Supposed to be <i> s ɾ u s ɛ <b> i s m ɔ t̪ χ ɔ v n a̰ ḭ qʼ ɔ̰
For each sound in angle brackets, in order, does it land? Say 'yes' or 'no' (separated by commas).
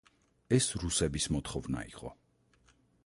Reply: no, yes